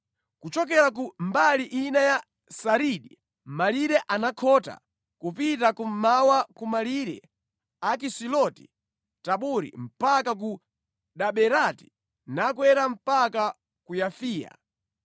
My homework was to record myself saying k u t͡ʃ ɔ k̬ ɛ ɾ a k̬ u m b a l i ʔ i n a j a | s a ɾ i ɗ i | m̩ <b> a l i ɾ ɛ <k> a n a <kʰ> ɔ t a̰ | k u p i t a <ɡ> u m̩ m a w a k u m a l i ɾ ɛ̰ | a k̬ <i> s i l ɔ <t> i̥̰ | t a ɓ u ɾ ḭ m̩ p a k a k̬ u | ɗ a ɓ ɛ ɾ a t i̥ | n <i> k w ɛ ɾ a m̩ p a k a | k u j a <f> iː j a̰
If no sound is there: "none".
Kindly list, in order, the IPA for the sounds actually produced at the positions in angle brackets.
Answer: m, ʔ, kʰ, k, i, t, a, f

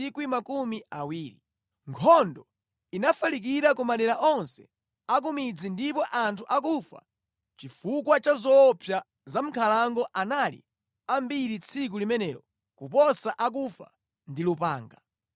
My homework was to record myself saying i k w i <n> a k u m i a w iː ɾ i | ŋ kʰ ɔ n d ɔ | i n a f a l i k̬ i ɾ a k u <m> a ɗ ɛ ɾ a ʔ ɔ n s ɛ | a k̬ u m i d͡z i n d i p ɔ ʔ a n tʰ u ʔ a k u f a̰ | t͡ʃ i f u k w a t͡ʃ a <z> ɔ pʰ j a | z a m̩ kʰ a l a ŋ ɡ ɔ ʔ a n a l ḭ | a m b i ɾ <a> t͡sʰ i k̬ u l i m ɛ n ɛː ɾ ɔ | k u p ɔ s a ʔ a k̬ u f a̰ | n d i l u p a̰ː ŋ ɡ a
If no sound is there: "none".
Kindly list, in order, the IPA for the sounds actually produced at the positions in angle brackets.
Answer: m, m, z, i

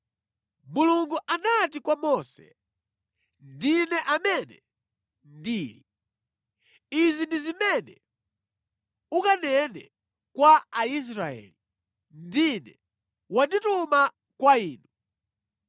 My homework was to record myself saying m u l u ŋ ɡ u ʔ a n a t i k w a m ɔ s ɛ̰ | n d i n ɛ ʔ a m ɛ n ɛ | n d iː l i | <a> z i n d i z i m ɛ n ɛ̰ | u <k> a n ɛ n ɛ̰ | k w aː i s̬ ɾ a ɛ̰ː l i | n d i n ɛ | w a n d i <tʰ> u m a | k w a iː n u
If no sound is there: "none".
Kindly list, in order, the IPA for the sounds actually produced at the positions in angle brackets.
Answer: i, k, t

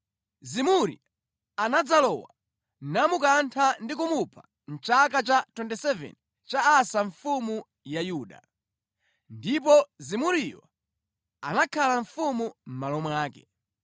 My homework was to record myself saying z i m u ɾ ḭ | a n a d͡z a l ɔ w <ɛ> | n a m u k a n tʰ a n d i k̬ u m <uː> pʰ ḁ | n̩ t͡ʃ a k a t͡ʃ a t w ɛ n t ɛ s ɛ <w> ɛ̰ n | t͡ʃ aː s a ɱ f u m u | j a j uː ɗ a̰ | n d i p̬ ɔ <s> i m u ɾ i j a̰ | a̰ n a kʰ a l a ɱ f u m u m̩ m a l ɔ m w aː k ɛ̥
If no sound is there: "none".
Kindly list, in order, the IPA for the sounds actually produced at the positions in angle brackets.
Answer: a, u, v, z

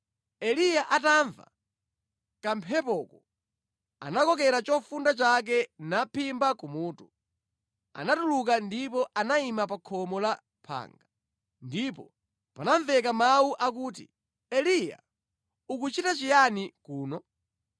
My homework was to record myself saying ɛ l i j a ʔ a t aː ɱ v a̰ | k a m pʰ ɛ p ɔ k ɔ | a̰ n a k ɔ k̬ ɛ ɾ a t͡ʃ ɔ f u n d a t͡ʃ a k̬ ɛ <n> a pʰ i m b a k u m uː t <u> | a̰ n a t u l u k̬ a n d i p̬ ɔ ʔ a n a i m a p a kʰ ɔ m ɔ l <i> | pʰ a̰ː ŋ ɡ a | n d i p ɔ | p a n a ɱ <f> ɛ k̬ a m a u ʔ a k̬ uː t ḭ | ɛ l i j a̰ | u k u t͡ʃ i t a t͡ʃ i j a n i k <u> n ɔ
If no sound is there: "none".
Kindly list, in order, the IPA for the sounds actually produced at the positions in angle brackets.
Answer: n, u, a, v, uː

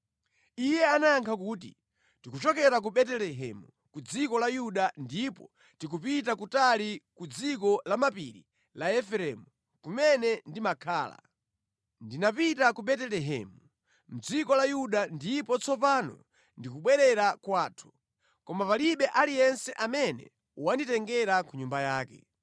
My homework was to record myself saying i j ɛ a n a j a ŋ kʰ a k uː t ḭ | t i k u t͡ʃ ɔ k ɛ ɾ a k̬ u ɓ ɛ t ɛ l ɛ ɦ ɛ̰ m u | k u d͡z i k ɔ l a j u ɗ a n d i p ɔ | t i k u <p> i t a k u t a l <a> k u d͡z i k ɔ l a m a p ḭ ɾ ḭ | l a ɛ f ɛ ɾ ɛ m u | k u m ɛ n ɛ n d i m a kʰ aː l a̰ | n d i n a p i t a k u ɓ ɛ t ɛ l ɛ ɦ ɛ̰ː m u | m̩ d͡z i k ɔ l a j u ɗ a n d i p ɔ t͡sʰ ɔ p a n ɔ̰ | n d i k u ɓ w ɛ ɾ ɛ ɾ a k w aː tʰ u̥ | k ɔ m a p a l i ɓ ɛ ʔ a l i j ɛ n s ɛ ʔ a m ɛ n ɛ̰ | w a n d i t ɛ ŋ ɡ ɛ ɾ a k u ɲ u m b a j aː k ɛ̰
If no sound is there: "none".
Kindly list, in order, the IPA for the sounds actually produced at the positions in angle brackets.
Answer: p, i

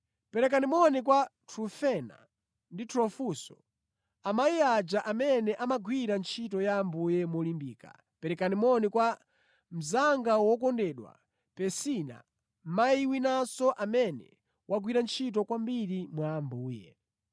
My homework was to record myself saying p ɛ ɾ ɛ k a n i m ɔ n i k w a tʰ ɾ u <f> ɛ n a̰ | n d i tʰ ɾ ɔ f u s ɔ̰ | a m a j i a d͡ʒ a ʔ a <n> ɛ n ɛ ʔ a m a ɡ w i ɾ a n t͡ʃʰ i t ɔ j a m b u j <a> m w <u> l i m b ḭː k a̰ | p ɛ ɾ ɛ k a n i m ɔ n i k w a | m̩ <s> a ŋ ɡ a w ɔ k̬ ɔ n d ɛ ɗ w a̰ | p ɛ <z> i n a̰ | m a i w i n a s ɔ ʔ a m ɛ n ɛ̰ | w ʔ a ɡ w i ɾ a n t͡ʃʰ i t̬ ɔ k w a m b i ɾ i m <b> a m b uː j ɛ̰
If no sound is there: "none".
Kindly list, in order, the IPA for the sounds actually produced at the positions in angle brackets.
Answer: f, m, ɛ, ɔ, z, s, w

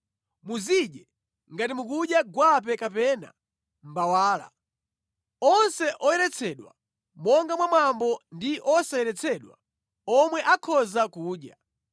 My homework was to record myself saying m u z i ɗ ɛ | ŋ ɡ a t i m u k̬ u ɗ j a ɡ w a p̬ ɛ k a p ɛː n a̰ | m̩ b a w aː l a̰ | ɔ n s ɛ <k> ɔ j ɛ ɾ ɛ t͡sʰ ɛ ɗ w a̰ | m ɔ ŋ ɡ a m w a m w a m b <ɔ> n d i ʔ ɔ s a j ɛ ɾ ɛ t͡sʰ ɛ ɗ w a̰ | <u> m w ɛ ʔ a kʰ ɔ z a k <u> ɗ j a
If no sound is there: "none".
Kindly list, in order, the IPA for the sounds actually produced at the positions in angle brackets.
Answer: ʔ, ɔ, ɔ, uː

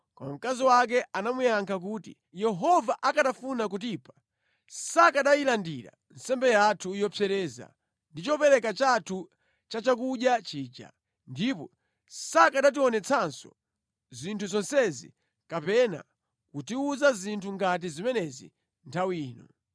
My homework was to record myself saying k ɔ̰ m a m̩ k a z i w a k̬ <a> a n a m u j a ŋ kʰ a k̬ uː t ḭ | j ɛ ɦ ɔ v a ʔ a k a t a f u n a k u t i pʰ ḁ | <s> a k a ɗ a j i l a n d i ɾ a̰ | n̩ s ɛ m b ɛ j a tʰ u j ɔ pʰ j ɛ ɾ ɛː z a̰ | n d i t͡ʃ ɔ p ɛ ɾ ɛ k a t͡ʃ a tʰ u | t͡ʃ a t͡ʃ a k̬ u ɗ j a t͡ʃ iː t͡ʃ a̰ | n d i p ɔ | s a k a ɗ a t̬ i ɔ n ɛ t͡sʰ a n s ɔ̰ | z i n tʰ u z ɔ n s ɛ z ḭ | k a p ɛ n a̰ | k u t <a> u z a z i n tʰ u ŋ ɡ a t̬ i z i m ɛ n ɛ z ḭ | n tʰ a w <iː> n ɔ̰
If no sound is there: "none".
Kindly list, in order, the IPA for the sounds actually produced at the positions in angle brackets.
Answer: ɛ, s, i, iː

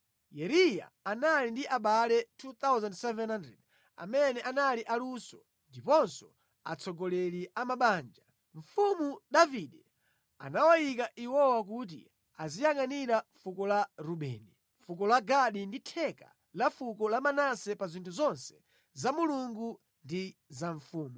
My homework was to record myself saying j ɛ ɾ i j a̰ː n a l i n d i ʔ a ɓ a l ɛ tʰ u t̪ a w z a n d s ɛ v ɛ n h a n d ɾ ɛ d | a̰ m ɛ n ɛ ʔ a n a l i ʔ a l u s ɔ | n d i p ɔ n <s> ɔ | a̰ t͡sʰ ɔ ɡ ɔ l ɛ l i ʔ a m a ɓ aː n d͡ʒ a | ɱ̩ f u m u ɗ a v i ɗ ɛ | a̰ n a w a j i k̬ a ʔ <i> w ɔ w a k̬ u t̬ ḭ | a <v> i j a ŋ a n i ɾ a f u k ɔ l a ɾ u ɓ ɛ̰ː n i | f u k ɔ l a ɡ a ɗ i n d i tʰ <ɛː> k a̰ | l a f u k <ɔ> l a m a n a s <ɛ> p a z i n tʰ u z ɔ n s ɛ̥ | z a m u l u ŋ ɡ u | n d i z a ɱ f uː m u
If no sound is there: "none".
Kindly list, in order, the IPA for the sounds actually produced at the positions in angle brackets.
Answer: s, i, z, ɛ, ɔ, ɛ

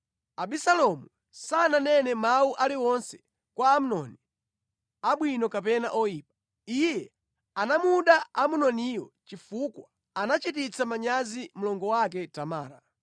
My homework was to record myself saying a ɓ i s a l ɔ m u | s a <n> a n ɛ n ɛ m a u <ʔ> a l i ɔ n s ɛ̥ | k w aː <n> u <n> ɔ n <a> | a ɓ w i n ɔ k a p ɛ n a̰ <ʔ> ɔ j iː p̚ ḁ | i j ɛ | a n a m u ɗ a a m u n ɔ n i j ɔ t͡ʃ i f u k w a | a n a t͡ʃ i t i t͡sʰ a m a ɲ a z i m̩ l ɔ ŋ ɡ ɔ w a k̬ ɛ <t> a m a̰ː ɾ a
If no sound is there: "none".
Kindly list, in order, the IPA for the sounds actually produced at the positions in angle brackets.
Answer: n, ʔ, m, n, i, ʔ, t

